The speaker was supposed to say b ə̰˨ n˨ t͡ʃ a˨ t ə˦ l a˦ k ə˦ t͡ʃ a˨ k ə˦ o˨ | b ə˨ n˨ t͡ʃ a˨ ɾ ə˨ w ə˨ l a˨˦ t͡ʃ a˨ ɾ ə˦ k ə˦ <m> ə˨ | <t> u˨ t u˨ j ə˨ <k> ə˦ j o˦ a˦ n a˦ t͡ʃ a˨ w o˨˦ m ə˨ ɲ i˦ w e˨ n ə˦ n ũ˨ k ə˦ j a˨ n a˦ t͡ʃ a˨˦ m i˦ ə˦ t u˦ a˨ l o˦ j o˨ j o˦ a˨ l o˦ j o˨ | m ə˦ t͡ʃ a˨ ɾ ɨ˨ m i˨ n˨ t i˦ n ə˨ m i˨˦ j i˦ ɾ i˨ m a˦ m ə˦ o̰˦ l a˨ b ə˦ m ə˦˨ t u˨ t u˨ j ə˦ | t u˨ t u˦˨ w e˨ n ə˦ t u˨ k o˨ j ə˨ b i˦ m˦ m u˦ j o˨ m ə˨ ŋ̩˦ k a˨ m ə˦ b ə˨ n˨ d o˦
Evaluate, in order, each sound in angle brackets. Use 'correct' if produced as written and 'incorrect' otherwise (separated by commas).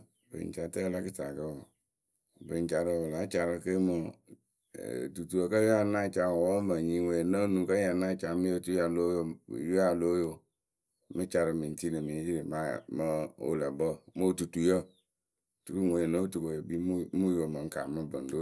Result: correct, correct, correct